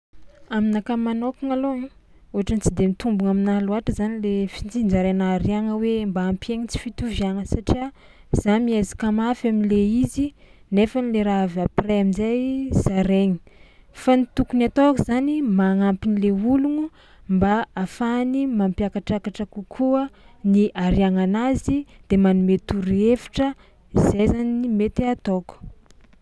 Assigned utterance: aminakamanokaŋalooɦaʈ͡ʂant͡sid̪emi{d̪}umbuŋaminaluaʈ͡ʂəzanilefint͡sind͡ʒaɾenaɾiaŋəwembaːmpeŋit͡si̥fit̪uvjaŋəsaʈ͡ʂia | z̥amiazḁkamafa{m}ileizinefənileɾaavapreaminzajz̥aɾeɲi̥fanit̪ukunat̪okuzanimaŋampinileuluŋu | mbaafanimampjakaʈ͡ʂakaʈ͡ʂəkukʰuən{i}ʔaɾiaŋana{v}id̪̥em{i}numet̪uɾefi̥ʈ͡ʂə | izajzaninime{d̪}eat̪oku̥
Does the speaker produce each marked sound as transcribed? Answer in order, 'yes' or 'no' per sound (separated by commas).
no, yes, yes, no, no, no